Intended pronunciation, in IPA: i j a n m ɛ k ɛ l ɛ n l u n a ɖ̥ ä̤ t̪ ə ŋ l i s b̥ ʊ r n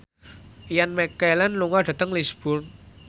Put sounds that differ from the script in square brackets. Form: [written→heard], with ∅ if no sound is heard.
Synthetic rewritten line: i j a n m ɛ k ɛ l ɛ n l u [n→ŋ] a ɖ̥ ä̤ t̪ ə ŋ l i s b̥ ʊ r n

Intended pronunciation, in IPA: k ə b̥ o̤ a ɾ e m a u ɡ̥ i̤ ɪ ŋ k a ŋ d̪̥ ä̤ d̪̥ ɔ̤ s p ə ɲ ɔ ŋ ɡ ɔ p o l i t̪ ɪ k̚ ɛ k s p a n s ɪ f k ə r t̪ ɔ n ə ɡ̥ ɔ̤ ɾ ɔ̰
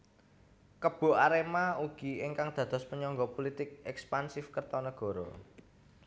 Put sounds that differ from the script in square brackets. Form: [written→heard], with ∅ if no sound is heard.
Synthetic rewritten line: k ə b̥ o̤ a ɾ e m a u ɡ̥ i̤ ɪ ŋ k a ŋ d̪̥ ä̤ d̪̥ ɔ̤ s p ə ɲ ɔ ŋ ɡ ɔ p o l i t̪ ɪ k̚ ɛ k s p a n s ɪ f k ə r t̪ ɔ n ə ɡ̥ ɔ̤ ɾ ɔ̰

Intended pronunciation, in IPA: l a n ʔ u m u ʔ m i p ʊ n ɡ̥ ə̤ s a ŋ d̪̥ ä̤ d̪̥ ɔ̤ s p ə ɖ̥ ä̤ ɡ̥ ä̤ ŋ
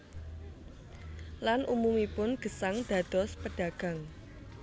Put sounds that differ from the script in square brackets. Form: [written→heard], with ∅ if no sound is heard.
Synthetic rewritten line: l a n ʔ u m u [ʔ→∅] m i p ʊ n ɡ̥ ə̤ s a ŋ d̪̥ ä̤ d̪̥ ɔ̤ s p ə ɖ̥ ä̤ ɡ̥ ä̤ ŋ

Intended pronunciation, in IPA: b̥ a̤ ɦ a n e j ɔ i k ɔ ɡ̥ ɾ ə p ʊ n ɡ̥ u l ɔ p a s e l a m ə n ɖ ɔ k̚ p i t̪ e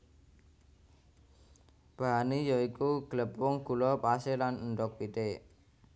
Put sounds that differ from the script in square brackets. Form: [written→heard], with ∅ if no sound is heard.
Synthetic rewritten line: b̥ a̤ ɦ a n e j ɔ i k [ɔ→u] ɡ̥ [ɾ→l] ə p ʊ [n→ŋ] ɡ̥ u l ɔ p a s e l a [m→n] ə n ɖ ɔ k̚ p i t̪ e

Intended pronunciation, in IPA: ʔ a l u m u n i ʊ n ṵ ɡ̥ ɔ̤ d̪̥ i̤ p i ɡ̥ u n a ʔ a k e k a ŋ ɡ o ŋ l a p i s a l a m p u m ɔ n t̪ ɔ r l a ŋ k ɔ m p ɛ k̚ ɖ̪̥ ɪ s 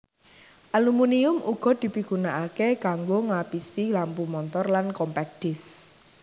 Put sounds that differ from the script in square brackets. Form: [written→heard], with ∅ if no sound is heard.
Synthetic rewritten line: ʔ a l u m u n i ʊ [n→m] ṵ ɡ̥ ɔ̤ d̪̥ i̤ p i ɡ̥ u n a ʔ a k e k a ŋ ɡ o ŋ l a p i s [a→i] l a m p u m ɔ n t̪ ɔ r l a [ŋ→n] k ɔ m p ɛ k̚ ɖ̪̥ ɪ s

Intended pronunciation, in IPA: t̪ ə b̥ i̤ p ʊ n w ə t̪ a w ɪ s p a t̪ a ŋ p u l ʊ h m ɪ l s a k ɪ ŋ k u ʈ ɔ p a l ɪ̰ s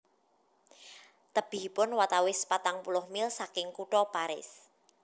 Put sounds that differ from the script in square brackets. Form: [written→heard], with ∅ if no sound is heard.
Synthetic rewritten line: t̪ ə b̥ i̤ p ʊ n w [ə→a] t̪ a w ɪ s p a t̪ a ŋ p u l ʊ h m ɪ l s a k ɪ ŋ k u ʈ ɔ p a [l→ɾ] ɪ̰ s

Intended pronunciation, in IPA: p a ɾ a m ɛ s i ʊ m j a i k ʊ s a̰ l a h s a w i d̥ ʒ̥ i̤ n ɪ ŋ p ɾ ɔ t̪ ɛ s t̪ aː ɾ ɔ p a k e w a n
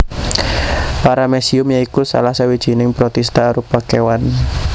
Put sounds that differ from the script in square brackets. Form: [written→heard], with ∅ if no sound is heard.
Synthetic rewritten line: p a ɾ a m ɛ s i ʊ m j a i k [ʊ→u] s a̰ l a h s a w i d̥ ʒ̥ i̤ n ɪ ŋ p ɾ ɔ t̪ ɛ s t̪ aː ɾ [ɔ→u] p a k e w a n

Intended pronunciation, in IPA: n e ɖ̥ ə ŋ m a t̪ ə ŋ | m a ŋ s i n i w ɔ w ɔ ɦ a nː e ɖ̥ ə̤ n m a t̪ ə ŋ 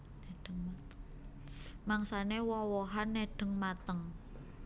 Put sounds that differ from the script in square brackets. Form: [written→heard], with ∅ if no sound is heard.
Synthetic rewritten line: n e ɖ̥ ə ŋ m a t̪ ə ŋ | m a ŋ s [i→a] n [i→e] w ɔ w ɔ ɦ a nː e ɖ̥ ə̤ [n→ŋ] m a t̪ ə ŋ

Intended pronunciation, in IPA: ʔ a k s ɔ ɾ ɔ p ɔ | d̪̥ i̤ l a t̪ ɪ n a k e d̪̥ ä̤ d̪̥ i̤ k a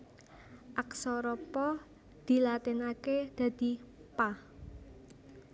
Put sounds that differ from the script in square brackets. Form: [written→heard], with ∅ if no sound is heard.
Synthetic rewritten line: ʔ a k s ɔ ɾ ɔ p ɔ | d̪̥ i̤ l a t̪ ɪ n a k e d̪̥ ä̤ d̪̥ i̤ [k→p] a

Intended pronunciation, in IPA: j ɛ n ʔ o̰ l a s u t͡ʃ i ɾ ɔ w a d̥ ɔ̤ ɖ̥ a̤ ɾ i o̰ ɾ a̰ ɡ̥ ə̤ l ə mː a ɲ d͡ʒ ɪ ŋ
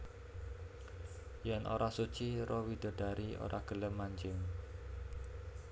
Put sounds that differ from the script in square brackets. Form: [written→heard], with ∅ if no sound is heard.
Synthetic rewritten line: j ɛ n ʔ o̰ [l→ɾ] a s u t͡ʃ i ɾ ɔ w [a→i] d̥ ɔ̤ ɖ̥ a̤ ɾ i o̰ ɾ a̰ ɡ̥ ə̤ l ə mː a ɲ d͡ʒ ɪ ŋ

